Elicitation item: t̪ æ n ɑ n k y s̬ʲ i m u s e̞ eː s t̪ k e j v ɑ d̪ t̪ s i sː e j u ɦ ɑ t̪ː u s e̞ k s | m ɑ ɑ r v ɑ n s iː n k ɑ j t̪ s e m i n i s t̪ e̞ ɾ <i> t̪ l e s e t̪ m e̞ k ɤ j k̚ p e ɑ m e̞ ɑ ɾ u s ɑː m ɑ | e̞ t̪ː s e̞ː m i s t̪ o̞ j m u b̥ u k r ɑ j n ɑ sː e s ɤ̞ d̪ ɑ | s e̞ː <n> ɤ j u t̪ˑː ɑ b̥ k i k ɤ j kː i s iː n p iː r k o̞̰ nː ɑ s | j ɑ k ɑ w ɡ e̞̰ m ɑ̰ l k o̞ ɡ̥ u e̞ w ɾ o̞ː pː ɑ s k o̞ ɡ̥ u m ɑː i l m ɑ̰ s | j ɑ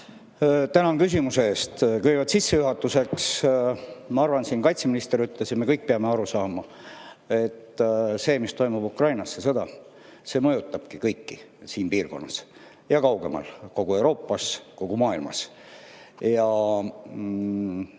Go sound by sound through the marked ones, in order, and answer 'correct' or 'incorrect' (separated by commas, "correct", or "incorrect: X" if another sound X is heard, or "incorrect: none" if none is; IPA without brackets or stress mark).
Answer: incorrect: y, incorrect: m